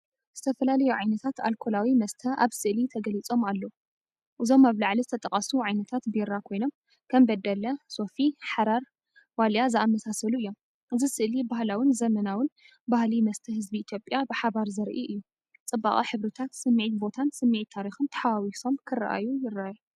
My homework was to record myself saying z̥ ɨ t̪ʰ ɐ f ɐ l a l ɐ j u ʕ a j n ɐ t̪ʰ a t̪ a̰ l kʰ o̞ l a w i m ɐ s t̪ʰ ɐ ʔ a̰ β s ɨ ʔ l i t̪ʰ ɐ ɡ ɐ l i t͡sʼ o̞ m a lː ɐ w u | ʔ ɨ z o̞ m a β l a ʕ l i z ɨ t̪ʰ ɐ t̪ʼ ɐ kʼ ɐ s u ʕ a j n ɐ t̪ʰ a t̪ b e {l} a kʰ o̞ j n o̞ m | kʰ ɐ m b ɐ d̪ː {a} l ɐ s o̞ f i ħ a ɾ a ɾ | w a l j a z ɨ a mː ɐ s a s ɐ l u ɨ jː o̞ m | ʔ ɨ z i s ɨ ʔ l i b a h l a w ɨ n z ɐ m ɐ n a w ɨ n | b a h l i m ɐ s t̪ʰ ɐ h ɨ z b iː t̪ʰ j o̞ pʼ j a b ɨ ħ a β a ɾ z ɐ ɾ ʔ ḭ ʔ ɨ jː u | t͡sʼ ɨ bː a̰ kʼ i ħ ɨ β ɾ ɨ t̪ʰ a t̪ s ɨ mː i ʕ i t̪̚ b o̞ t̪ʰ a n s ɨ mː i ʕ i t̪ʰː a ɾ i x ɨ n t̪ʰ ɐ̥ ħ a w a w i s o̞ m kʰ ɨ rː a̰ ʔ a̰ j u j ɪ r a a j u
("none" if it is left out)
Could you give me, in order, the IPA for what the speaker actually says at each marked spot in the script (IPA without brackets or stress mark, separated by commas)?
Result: ɾ, ɐ